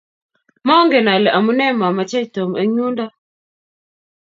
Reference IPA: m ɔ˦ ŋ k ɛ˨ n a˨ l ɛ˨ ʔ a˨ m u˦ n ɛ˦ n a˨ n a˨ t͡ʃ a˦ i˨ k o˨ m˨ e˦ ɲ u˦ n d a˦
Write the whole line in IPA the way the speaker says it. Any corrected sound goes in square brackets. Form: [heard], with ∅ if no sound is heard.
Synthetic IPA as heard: m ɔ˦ ŋ [ɡ] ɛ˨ n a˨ l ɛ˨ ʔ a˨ m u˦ n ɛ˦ [m] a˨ [m] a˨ t͡ʃ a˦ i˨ [t] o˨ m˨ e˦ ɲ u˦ n d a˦